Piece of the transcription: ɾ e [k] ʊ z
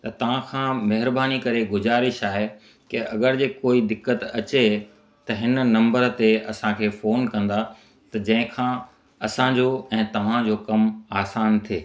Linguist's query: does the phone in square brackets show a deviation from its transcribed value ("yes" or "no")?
yes